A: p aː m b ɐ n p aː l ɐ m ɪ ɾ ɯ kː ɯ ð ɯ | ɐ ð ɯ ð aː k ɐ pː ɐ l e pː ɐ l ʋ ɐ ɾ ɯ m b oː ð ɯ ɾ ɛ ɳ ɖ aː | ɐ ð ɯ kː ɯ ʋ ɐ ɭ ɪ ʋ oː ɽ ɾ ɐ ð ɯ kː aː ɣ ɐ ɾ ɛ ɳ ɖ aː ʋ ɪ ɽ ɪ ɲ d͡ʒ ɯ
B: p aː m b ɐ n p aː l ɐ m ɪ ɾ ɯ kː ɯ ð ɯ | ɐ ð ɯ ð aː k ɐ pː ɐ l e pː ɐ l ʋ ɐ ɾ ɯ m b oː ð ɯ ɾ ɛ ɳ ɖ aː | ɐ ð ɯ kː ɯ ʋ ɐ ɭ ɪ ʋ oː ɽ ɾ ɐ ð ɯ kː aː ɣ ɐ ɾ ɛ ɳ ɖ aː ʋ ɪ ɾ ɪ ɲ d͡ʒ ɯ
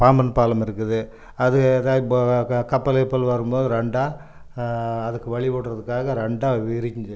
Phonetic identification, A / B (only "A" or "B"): B